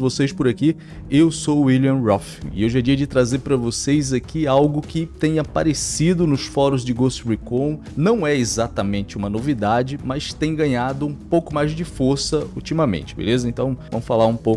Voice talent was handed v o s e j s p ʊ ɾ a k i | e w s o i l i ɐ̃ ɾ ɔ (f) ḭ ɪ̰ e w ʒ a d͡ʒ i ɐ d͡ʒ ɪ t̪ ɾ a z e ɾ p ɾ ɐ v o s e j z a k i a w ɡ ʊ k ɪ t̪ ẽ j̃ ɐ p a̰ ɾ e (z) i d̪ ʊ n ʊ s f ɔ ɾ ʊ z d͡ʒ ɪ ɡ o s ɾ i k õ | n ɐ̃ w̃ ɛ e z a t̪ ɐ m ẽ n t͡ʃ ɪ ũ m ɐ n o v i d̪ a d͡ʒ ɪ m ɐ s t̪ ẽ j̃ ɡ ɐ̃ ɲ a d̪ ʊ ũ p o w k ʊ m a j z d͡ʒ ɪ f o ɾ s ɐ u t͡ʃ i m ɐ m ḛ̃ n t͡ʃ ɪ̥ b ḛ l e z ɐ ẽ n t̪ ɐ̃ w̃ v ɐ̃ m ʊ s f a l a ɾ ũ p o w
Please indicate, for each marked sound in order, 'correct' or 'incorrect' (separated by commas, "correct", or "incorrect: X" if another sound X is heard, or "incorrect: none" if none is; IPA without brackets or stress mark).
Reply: correct, incorrect: s